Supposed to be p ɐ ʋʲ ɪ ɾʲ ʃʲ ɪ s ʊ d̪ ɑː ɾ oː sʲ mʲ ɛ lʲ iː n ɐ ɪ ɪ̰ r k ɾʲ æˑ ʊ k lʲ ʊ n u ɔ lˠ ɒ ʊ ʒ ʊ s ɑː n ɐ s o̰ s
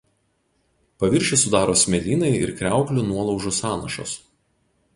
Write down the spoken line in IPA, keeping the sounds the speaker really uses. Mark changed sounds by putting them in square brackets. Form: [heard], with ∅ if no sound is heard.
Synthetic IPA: p ɐ ʋʲ ɪ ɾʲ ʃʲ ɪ s ʊ d̪ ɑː ɾ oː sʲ mʲ ɛ lʲ iː n ɐ ɪ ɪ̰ [ɾ] k ɾʲ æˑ ʊ k lʲ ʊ n u ɔ lˠ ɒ ʊ ʒ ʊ s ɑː n ɐ [ʃ] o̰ s